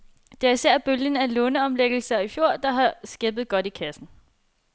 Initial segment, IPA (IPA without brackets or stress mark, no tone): d̥